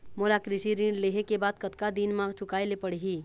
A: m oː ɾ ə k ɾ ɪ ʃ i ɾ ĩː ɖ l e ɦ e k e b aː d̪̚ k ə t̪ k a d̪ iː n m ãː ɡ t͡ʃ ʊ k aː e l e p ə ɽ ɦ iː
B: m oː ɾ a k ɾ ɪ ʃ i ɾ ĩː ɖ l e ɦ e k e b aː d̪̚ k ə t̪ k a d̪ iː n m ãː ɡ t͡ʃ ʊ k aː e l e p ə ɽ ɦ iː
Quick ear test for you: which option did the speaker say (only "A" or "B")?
B